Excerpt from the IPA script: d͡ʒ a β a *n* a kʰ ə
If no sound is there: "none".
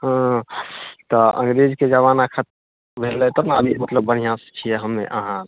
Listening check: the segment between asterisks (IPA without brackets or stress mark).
n